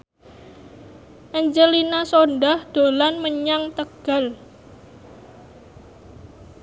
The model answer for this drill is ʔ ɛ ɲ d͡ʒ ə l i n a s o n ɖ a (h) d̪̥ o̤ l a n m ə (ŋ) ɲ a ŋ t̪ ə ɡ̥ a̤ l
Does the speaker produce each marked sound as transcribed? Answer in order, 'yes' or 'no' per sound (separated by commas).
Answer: yes, no